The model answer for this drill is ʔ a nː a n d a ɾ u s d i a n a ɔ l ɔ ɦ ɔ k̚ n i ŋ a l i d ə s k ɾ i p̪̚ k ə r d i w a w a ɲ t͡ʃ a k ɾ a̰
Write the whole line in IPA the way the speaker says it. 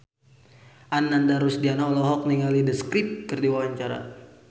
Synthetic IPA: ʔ a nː a n d a ɾ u s d i a n a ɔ l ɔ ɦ ɔ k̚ n i ŋ a l i d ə s k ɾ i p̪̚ k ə r d i w a w a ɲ t͡ʃ a ɾ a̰